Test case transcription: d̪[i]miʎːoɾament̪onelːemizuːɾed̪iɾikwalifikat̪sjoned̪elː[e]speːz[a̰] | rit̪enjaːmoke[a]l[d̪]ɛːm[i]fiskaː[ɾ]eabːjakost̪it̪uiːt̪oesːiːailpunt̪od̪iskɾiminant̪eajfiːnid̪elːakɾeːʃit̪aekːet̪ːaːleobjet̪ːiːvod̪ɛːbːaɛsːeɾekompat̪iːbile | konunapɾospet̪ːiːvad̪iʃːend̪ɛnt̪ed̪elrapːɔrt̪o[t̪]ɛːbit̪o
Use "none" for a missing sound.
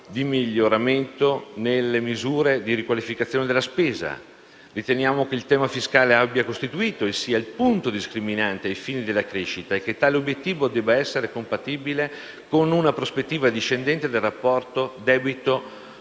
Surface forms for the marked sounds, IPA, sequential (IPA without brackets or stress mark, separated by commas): i, a, a̰, i, t̪, a, l, d̪